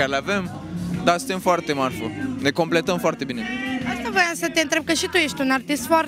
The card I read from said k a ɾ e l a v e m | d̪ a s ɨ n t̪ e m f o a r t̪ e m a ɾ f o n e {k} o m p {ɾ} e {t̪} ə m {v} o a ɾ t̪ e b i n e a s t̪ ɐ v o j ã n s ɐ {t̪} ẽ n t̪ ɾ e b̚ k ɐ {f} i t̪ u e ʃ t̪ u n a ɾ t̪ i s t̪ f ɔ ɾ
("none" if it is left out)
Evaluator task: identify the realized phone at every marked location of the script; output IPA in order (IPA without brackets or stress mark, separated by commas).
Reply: k, l, t̪, f, t̪, ʃ